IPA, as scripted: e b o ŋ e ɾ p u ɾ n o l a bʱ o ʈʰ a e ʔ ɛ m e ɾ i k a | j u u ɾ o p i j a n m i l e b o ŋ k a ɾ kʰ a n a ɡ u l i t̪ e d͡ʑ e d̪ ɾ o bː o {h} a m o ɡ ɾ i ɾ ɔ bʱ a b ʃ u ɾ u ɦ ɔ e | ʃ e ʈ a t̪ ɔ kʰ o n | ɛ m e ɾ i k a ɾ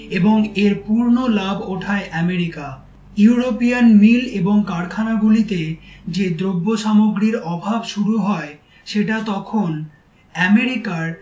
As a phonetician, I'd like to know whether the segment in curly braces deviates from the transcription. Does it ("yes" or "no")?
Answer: yes